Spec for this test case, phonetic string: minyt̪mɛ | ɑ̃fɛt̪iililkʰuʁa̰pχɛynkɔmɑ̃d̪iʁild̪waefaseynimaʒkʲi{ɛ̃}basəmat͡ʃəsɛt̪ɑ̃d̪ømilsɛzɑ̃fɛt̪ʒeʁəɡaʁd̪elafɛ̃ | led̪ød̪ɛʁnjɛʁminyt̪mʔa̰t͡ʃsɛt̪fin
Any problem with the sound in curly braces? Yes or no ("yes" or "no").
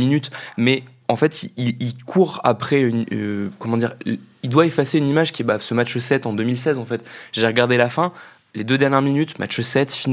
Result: yes